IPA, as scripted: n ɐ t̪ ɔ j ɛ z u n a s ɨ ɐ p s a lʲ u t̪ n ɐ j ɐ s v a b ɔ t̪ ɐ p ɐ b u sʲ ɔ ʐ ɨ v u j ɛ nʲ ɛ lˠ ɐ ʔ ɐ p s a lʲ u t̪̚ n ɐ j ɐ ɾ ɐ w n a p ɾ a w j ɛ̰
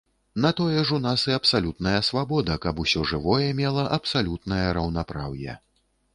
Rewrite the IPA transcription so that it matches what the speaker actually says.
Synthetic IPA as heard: n ɐ t̪ ɔ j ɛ ʐ u n a s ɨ ɐ p s a lʲ u t̪ n ɐ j ɐ s v a b ɔ d̪ ɐ k ɐ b u sʲ ɔ ʐ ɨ v ɔ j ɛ mʲ ɛ lˠ ɐ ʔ ɐ p s a lʲ u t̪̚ n ɐ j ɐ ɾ ɐ w n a p ɾ a w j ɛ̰